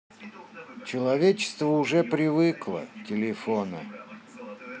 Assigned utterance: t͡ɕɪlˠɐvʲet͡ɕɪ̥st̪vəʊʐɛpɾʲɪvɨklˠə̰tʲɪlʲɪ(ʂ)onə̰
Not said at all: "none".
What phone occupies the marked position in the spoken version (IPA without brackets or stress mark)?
f